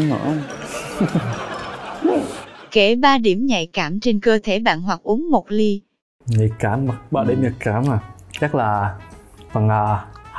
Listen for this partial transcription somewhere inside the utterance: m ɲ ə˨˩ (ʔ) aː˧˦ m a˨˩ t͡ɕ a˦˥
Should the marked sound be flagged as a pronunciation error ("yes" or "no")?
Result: yes